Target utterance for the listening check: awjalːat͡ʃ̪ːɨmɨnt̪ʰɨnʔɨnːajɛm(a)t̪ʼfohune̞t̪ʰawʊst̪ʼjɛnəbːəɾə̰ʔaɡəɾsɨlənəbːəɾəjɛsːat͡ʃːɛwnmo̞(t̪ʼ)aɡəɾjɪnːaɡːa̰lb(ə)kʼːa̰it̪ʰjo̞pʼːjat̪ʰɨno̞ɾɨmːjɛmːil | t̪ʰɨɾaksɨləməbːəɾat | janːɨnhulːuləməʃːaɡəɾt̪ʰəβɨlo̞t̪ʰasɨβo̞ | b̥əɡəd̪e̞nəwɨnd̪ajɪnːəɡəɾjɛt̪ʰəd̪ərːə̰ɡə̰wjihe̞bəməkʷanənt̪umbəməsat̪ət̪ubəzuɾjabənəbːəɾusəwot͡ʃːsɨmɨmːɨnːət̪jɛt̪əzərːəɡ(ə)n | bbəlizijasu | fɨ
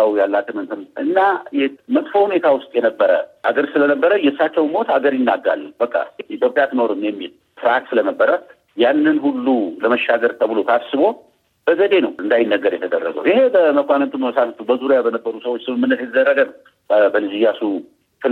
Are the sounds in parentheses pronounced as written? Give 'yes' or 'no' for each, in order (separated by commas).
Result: no, no, yes, yes